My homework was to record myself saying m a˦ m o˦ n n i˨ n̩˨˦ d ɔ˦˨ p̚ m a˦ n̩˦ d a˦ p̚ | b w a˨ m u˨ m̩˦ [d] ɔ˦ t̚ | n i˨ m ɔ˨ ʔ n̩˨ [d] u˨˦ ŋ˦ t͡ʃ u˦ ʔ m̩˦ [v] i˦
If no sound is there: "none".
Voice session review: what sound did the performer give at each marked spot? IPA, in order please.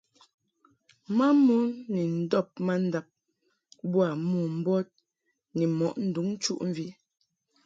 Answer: b, d, v

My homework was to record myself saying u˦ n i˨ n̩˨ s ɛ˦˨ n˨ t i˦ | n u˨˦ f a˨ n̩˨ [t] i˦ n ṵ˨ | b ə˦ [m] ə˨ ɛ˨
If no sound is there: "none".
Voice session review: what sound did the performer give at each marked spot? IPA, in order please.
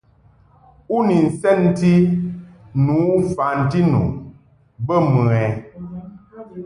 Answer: t, m

